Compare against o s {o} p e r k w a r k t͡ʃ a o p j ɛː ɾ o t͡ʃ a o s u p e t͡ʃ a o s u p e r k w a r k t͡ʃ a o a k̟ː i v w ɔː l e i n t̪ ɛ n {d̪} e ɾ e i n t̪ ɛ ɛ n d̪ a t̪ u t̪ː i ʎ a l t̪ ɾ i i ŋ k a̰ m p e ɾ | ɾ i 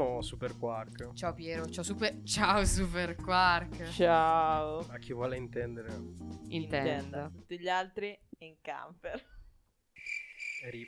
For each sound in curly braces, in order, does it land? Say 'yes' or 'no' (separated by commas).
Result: no, yes